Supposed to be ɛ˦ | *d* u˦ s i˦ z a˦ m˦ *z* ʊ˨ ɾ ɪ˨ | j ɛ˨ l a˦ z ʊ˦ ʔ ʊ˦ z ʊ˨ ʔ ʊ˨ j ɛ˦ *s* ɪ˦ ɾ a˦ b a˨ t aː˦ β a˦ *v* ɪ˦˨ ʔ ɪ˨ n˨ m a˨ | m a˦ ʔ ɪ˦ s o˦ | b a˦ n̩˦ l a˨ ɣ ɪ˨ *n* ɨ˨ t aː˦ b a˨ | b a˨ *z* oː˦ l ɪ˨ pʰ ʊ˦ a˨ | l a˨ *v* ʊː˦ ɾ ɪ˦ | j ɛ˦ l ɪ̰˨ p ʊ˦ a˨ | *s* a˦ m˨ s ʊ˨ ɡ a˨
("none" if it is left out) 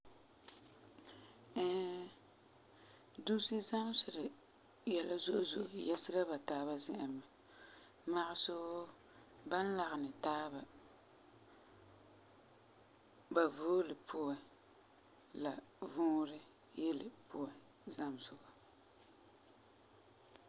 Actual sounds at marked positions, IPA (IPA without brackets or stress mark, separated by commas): d, s, s, z, n, v, v, z